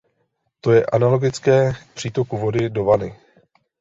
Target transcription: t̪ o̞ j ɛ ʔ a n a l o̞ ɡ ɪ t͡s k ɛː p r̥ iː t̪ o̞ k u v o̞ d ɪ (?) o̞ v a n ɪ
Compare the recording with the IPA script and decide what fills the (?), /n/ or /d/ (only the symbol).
d